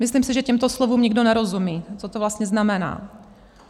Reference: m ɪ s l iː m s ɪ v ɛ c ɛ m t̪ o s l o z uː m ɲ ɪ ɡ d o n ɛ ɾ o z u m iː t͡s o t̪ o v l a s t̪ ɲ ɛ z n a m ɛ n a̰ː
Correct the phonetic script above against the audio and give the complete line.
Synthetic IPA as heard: m ɪ s l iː m s ɪ ʒ ɛ c ɛ m t̪ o s l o v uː m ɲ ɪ ɡ d o n ɛ ɾ o z u m iː t͡s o t̪ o v l a s t̪ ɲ ɛ z n a m ɛ n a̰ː